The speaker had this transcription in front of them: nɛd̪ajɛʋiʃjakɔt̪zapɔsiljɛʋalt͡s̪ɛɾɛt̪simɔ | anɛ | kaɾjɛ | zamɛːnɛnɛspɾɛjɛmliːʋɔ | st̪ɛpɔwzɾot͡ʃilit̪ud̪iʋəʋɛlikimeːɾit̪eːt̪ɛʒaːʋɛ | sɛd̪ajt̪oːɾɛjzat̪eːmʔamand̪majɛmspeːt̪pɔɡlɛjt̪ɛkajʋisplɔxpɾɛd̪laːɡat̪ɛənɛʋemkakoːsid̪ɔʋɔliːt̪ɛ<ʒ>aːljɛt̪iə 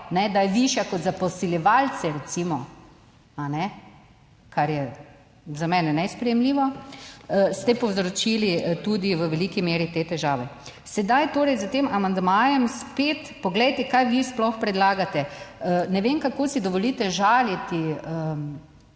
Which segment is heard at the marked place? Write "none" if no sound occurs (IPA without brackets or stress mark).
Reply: ʒ